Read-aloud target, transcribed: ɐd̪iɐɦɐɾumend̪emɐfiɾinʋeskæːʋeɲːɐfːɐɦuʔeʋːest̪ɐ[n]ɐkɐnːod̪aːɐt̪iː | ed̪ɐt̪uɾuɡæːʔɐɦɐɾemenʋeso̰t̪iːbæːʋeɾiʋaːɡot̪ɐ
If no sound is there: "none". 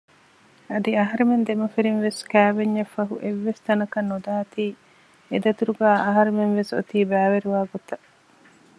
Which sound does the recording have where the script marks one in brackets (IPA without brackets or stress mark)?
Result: n